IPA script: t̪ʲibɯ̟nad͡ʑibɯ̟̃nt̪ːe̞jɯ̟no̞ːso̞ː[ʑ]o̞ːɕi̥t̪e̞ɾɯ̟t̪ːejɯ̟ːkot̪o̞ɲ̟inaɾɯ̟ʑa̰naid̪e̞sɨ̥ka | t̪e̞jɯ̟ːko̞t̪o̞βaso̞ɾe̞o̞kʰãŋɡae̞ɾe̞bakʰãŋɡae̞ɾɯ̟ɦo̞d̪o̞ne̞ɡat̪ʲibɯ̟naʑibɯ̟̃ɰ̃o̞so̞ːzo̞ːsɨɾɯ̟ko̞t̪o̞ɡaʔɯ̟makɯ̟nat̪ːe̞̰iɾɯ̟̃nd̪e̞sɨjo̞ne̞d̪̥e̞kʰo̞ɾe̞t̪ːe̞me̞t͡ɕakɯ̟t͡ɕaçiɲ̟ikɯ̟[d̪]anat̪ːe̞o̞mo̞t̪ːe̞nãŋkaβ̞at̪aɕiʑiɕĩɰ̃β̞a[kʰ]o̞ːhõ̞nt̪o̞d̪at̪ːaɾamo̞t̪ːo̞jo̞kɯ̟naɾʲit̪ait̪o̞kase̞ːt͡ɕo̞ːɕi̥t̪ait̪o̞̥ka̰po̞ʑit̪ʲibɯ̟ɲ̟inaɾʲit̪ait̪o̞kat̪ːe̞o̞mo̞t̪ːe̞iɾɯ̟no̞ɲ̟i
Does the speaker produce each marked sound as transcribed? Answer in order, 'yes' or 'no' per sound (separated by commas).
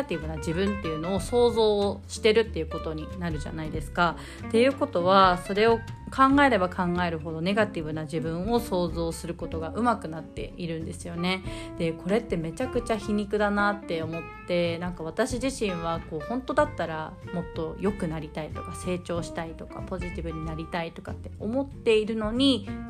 no, yes, no